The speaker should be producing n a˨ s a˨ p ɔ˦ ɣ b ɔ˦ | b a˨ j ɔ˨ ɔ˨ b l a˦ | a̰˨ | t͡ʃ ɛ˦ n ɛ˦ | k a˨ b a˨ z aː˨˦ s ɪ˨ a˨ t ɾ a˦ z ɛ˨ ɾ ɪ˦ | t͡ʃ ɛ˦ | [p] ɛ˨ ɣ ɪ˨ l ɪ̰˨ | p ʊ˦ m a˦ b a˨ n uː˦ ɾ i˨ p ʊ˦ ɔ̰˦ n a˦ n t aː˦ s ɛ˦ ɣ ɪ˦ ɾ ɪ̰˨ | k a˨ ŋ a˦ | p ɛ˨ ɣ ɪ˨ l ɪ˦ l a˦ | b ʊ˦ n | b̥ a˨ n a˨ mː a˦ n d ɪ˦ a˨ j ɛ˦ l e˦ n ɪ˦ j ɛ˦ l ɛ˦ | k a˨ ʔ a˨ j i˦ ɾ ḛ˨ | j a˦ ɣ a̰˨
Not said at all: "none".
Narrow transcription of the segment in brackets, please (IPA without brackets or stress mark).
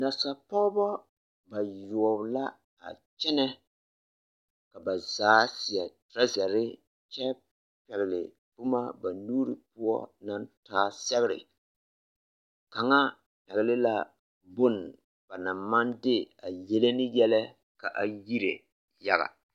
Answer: p